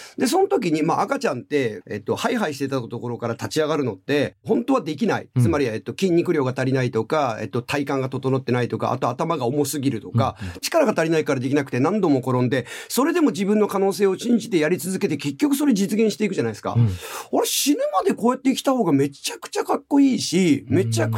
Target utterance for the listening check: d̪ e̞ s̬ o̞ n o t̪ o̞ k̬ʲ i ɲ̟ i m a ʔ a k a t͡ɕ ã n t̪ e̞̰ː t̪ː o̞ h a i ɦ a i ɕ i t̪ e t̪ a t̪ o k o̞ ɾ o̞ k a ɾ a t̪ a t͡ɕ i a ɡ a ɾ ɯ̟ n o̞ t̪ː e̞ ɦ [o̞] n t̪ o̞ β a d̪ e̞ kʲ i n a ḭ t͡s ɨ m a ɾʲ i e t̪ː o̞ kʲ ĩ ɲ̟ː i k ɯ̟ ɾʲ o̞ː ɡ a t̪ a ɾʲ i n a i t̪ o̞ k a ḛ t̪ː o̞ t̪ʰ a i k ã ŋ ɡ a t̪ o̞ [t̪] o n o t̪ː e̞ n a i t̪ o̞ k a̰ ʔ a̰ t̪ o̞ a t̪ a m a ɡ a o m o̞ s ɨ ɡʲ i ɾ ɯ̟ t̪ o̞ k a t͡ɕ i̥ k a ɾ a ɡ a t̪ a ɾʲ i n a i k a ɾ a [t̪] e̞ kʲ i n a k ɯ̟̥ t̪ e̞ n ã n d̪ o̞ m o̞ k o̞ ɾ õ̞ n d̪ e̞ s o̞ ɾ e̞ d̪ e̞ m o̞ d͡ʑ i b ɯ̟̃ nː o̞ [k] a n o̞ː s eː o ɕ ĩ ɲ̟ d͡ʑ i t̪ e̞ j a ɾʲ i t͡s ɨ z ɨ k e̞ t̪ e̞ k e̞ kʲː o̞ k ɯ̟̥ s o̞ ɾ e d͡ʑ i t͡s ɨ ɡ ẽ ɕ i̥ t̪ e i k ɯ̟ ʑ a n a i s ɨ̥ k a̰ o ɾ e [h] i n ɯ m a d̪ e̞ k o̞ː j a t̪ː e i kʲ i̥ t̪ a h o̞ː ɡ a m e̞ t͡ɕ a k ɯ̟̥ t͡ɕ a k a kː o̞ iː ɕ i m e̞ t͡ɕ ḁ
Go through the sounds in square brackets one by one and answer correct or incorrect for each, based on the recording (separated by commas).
incorrect, correct, incorrect, correct, incorrect